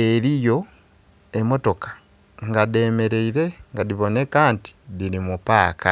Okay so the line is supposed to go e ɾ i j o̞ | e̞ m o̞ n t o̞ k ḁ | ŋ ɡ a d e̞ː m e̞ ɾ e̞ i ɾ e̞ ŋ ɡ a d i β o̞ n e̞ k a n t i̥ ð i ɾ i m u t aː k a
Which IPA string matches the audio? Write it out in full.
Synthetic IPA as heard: e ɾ i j o̞ | e̞ m o̞ t o̞ k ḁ | ŋ ɡ a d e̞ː m e̞ ɾ e̞ i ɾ e̞ ŋ ɡ a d i β o̞ n e̞ k a n t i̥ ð i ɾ i m u p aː k a

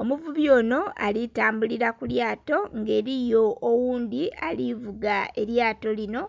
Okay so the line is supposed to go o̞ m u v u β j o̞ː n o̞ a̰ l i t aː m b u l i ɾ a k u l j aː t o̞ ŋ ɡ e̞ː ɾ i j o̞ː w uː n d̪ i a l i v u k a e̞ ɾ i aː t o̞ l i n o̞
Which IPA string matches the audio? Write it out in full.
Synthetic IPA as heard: o̞ m u v u β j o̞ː n o̞ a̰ l i t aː m b u l i ɾ a k u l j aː t o̞ ŋ ɡ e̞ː ɾ i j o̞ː w uː n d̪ i a l i v u ɡ a e̞ ɾ j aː t o̞ l i n o̞

